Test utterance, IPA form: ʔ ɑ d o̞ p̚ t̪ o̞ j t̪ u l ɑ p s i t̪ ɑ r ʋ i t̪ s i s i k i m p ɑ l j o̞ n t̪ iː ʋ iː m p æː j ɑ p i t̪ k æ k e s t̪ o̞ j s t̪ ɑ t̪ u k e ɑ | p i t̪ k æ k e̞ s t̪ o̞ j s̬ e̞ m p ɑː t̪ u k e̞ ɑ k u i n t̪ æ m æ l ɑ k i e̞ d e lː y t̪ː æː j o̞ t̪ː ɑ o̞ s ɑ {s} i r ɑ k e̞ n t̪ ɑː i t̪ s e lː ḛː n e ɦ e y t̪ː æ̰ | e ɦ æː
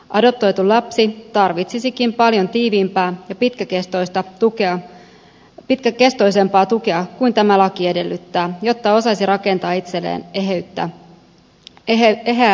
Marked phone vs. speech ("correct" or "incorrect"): correct